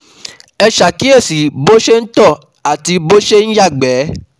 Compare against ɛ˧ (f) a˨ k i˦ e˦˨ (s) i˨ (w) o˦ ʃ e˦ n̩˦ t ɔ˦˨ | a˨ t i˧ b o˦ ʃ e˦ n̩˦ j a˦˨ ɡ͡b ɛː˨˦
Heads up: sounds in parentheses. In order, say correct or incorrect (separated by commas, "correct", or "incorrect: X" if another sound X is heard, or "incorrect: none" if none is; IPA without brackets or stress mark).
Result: incorrect: ʃ, correct, incorrect: b